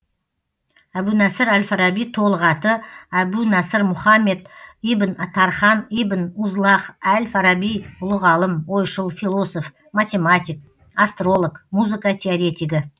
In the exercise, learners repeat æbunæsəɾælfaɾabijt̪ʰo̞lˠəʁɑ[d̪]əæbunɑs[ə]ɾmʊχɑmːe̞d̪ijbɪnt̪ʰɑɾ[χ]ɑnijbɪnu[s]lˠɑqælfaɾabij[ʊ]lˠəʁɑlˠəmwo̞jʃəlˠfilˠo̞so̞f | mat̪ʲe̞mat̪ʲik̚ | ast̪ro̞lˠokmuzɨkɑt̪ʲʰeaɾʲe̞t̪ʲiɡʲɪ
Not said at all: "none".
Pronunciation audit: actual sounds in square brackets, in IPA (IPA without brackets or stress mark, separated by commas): t̪, ə, χ, z, ʊ